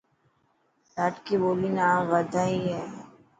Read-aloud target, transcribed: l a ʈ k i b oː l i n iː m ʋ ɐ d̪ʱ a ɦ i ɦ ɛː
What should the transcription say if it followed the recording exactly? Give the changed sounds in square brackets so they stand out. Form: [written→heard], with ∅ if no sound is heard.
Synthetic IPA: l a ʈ k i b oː l i n [iː→aː] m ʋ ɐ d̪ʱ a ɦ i ɦ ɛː